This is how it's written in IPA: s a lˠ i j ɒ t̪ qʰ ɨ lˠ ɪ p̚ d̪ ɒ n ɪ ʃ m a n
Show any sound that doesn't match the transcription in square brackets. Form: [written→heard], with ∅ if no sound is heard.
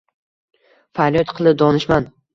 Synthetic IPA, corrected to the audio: [s→f] a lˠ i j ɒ t̪ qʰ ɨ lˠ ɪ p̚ d̪ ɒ n ɪ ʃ m a n